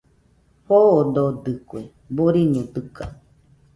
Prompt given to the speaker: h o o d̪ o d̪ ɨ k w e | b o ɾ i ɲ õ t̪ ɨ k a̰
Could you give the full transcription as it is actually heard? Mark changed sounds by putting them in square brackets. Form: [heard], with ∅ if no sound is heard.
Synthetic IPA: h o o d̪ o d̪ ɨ k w e | b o ɾ i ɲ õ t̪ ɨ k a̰